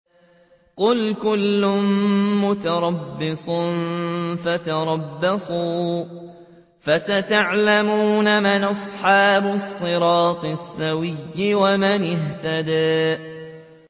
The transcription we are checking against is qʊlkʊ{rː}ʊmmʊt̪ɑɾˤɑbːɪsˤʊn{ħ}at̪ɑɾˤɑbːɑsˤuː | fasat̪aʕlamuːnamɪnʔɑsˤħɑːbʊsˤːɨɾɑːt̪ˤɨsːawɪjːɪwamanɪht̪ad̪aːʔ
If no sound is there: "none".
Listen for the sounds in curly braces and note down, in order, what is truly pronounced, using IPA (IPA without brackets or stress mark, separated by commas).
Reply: lː, f